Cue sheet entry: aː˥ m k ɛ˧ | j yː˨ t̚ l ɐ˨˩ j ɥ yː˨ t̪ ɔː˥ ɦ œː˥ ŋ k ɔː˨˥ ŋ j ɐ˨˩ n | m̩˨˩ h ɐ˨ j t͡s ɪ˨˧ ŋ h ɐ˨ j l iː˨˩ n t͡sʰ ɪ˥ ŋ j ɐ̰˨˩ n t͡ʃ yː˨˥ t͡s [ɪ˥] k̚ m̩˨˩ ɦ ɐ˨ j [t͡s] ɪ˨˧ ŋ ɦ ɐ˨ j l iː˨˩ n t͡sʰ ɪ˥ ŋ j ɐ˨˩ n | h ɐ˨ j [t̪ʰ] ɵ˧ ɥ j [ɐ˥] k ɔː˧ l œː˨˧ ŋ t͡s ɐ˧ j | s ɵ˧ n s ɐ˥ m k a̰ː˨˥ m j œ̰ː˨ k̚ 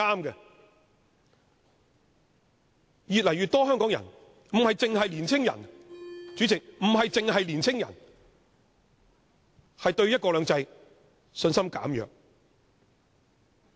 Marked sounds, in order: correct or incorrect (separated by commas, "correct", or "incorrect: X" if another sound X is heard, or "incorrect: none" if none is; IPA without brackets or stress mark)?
incorrect: ɪ˨, correct, incorrect: t̪, correct